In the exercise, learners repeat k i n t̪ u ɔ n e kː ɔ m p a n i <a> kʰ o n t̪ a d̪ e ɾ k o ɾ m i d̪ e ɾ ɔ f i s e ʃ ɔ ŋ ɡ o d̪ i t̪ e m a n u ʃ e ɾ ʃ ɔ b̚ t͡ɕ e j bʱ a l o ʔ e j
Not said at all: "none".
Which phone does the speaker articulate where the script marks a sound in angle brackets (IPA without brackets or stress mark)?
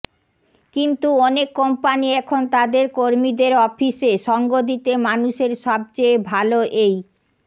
ɛ